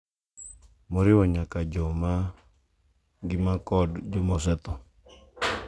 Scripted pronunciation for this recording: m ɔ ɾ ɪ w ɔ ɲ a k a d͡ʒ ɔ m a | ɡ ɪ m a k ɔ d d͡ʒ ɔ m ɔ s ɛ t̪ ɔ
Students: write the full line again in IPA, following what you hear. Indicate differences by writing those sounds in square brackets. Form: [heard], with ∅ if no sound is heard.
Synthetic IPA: m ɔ ɾ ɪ w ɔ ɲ a k a d͡ʒ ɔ m a | ɡ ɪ m a k ɔ d d͡ʒ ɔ m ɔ s ɛ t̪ ɔ